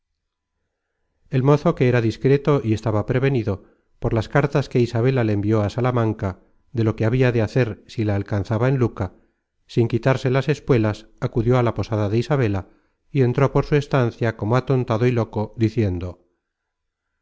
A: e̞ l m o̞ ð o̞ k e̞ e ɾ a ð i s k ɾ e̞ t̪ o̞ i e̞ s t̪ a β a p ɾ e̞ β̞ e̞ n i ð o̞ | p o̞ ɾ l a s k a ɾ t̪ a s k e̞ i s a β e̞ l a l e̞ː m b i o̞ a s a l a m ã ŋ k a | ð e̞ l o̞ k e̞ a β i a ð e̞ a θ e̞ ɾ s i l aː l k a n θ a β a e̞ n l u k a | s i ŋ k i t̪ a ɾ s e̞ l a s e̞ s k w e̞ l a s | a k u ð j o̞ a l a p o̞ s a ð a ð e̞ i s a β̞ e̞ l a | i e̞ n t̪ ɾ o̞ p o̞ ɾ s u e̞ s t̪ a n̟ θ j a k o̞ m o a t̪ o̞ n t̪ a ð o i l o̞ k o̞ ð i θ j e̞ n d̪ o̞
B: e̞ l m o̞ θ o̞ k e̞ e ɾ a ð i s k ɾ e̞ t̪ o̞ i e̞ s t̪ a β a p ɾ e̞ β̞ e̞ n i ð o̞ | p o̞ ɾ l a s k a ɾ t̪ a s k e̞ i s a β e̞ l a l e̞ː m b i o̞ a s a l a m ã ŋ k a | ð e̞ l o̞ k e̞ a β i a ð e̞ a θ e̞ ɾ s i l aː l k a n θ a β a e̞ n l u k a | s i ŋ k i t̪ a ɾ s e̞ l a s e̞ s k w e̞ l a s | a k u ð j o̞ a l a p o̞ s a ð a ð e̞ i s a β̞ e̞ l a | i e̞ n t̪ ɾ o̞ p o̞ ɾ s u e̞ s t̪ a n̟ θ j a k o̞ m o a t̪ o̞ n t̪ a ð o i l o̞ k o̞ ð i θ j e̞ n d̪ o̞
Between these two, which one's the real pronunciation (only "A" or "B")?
B